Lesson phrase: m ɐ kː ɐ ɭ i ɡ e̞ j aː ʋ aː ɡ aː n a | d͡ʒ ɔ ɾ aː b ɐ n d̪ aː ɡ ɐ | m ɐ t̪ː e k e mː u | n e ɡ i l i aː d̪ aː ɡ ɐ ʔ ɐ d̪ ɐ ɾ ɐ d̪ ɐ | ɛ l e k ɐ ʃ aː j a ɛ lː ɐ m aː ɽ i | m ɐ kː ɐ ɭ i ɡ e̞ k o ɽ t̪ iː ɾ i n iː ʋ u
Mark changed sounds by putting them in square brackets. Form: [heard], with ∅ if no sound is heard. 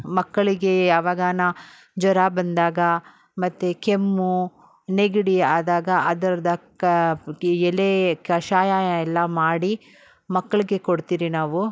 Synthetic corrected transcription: m ɐ kː ɐ ɭ i ɡ e̞ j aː ʋ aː ɡ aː n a | d͡ʒ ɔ ɾ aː b ɐ n d̪ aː ɡ ɐ | m ɐ t̪ː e k e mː u | n e ɡ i [ɽ] i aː d̪ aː ɡ ɐ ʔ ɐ d̪ ɐ ɾ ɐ d̪ ɐ | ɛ l e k ɐ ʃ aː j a ɛ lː ɐ m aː ɽ i | m ɐ kː ɐ ɭ i ɡ e̞ k o ɽ t̪ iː ɾ i n [aː] ʋ u